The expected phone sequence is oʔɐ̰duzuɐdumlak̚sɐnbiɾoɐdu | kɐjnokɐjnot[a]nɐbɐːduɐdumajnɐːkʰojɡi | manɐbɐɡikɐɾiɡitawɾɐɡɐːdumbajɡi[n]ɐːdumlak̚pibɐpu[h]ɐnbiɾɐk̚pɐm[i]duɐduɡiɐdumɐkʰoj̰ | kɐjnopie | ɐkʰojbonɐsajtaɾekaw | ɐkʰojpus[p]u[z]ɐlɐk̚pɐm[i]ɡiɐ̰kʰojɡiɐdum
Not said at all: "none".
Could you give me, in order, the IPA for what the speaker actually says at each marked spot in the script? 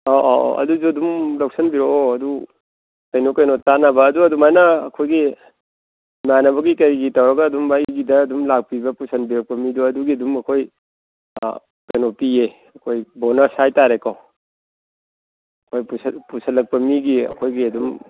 a, d, s, i, p, s, i

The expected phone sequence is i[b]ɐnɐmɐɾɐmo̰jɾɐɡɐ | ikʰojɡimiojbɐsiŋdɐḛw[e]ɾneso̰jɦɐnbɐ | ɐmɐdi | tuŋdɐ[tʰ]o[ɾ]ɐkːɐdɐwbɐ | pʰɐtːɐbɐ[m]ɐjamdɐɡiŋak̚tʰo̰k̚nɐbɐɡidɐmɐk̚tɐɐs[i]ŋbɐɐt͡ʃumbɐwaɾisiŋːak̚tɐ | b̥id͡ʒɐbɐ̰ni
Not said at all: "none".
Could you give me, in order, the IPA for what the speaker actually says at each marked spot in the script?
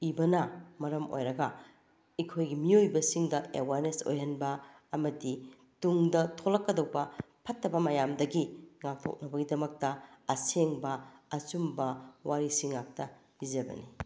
b, a, tʰ, l, m, e

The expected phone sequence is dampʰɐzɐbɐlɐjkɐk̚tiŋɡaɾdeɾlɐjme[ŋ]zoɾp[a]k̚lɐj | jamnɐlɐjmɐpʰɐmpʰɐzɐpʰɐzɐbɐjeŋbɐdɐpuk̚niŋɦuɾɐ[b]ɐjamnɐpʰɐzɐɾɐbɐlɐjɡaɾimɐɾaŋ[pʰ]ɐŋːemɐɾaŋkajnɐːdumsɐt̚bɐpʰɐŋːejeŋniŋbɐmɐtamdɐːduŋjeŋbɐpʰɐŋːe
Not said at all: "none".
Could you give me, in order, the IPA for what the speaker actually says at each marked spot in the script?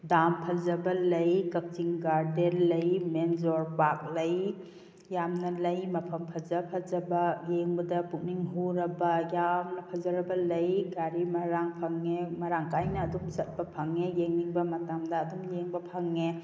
n, a, b, pʰ

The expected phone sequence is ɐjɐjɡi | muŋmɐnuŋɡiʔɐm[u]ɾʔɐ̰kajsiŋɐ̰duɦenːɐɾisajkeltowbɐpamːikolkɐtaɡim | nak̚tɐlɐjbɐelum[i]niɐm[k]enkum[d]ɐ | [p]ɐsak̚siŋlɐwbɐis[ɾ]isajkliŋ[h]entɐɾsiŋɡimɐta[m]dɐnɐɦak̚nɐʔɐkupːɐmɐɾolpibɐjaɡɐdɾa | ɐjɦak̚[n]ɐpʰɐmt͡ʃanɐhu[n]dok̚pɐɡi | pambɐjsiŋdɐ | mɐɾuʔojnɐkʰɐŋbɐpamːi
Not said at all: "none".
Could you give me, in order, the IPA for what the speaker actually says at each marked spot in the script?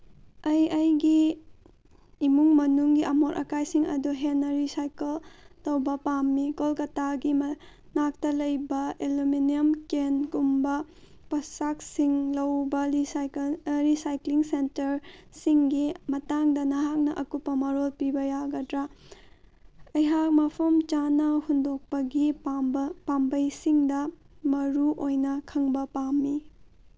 o, i, k, b, p, ɾ, s, ŋ, m, n

